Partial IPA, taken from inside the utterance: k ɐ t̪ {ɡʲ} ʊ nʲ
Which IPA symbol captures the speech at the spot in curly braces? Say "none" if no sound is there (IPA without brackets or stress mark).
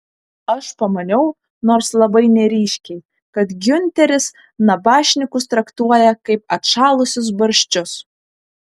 ɡʲ